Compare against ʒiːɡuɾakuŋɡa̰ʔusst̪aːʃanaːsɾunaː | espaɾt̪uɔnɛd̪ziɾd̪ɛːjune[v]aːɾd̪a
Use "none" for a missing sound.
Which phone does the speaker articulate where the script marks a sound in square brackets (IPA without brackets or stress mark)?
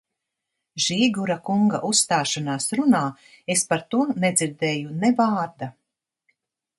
v